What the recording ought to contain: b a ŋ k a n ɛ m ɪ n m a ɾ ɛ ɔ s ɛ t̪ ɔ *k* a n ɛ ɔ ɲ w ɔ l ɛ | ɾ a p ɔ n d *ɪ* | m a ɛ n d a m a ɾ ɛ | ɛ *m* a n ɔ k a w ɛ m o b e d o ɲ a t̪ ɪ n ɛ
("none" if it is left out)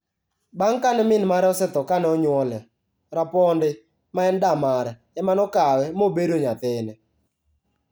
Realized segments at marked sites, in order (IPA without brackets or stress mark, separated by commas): k, ɪ, m